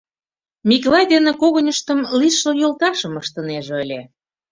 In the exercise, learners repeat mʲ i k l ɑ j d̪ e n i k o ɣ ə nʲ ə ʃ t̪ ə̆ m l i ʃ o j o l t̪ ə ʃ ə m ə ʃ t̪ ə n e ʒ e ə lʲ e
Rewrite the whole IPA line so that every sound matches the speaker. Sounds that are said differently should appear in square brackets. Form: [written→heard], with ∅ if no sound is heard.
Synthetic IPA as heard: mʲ i k l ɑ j d̪ e n [i→e] k o ɣ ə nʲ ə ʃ t̪ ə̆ m l i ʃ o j o l t̪ [ə→ɑ] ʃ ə m ə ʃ t̪ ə n e ʒ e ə lʲ e